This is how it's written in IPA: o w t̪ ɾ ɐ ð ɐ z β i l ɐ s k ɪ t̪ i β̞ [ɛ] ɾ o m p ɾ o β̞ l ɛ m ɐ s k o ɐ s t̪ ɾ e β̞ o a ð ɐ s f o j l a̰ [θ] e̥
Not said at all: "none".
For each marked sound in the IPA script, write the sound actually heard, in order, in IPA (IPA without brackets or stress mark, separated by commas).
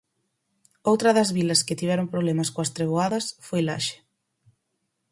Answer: ɛ, ʃ